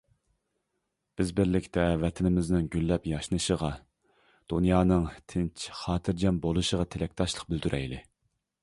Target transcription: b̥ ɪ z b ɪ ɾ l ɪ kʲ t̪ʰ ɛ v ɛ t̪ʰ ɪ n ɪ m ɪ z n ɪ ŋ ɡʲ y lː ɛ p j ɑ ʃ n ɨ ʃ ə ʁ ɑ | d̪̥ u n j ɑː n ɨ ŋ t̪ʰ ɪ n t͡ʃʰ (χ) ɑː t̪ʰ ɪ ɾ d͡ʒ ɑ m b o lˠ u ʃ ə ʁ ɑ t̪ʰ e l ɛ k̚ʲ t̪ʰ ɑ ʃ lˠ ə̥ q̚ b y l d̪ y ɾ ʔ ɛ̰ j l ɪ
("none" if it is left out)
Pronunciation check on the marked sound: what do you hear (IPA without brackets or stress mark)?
χ